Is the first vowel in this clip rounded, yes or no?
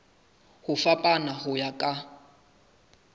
yes